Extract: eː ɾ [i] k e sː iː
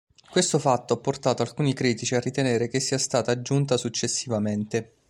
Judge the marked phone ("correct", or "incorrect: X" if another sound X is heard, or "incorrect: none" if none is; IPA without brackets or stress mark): incorrect: e